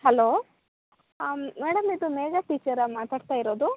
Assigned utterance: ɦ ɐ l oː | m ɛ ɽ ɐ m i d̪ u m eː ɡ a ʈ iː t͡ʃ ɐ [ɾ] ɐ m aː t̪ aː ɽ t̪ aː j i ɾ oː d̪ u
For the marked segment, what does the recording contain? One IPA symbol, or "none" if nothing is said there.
ɾ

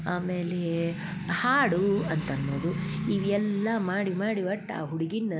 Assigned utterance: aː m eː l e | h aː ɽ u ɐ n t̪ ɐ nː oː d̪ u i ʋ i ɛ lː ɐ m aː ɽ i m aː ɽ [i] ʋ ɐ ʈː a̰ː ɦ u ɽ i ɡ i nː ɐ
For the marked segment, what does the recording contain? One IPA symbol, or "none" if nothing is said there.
i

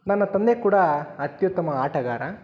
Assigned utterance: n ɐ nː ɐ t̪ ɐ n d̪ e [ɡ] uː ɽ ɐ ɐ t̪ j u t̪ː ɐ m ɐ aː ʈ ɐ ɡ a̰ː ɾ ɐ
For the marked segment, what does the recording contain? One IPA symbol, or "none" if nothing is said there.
k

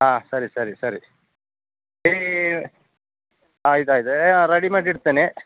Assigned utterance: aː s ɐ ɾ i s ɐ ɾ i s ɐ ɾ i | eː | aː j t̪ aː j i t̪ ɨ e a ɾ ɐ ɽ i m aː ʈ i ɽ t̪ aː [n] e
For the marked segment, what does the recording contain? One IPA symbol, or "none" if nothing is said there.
n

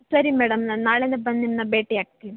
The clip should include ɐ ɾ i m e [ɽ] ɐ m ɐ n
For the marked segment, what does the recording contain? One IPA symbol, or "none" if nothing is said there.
ɽ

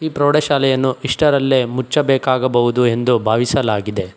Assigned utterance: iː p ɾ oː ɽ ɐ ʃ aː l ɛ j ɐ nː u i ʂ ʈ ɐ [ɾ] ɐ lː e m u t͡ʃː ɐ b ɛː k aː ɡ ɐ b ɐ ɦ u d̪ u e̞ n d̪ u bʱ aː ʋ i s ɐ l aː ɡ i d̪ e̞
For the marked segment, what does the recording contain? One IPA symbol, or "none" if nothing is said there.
ɾ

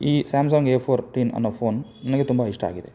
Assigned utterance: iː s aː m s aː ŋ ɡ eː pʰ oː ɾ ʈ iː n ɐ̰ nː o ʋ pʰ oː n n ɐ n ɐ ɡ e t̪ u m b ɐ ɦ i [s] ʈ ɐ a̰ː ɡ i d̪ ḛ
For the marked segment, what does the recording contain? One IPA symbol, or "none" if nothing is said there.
ʂ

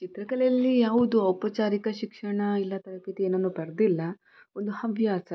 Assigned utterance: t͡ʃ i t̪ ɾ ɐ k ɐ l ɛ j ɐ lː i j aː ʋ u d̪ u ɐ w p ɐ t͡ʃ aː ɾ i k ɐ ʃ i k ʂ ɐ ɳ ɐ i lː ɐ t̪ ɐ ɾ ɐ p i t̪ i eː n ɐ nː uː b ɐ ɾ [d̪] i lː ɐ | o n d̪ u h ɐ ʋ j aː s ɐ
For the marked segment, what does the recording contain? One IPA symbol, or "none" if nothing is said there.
d̪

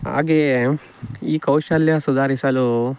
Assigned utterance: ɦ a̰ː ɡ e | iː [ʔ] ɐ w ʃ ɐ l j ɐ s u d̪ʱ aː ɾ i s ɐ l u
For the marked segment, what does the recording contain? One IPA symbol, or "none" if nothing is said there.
k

